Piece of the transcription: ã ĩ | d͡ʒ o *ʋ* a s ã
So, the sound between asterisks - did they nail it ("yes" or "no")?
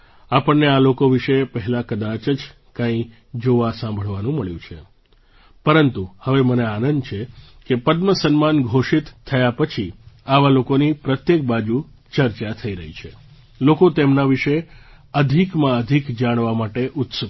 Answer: yes